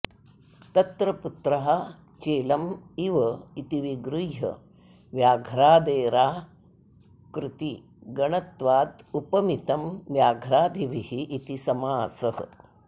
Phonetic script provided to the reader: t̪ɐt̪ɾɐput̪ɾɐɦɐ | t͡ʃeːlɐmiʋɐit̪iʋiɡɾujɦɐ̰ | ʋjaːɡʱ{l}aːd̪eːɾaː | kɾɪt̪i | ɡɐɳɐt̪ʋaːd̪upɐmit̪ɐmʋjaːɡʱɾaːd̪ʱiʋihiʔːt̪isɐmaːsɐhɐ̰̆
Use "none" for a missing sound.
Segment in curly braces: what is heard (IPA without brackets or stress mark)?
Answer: ɾ